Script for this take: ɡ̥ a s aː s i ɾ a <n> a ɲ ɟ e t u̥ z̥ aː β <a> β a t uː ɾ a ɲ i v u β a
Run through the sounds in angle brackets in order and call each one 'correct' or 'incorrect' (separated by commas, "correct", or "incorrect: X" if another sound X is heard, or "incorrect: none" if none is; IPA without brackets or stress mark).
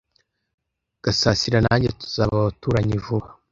correct, correct